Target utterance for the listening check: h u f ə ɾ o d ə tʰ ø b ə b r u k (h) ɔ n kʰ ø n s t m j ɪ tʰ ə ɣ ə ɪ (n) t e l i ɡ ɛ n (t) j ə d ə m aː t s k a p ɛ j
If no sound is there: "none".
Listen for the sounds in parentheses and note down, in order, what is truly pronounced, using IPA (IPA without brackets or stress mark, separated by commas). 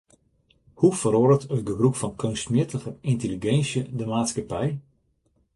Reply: f, n, s